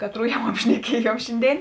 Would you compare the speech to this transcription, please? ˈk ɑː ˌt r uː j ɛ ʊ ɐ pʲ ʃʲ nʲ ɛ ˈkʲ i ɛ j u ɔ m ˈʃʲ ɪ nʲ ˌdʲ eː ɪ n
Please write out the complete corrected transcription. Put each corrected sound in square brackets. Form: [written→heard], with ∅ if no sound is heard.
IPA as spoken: ˈk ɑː ˌt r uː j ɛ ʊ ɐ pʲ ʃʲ nʲ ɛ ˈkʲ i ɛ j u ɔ m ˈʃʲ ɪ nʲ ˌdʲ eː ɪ n